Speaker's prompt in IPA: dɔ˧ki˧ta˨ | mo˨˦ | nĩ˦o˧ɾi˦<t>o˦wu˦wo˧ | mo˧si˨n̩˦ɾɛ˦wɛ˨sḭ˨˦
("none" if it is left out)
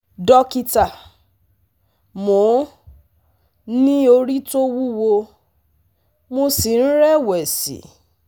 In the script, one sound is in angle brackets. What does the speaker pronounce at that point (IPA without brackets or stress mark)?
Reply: t